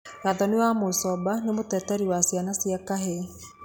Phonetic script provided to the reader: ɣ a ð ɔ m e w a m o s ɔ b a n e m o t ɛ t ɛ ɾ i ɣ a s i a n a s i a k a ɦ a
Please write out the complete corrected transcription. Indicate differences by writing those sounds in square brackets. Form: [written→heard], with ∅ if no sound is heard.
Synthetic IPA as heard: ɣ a ð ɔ [m→n] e w a m o s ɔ b a n e m o t ɛ t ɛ ɾ i [ɣ→w] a s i a n a s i a k a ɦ [a→e]